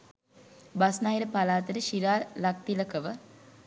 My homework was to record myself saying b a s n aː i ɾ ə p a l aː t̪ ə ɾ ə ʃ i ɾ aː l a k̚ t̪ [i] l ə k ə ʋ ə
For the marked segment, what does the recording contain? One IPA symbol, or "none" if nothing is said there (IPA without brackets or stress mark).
i